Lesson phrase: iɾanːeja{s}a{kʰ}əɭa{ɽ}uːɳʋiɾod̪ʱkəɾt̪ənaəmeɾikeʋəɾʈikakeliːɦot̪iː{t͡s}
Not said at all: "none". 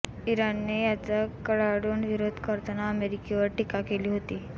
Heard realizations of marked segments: t͡s, k, ɽ, none

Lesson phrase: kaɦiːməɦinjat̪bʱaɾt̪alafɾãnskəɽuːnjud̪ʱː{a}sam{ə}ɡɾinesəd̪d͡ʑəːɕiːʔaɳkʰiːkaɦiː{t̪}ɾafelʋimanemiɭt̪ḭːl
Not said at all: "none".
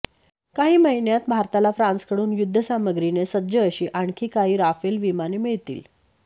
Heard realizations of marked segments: ə, ə, none

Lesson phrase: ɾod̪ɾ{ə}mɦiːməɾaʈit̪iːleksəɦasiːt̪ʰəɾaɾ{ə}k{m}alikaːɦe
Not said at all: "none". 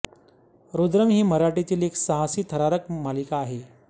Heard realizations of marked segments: ə, ə, m

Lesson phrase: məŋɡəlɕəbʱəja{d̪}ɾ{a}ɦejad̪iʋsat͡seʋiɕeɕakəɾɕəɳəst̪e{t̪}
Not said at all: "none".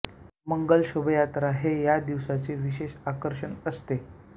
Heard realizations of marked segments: t̪, a, none

